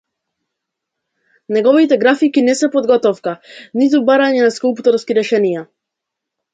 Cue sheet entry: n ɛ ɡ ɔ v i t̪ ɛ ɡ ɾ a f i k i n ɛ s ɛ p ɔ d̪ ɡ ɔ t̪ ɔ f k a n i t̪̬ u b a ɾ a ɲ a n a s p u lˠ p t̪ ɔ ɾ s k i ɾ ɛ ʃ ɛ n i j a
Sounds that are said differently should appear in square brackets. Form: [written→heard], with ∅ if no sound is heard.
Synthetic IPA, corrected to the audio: n ɛ ɡ ɔ v i t̪ ɛ ɡ ɾ a f i k i n ɛ s ɛ p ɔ d̪ ɡ ɔ t̪ ɔ f k a n i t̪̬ u b a ɾ a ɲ [a→ɛ] n a s [p→k] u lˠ p t̪ ɔ ɾ s k i ɾ ɛ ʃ ɛ n i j a